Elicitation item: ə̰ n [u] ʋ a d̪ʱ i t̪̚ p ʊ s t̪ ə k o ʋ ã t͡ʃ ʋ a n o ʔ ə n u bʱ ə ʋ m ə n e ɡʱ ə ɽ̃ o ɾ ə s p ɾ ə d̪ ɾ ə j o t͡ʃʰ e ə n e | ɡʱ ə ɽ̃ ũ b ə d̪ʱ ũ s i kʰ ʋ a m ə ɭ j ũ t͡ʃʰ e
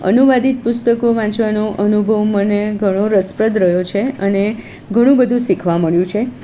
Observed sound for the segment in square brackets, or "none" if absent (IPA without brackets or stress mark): u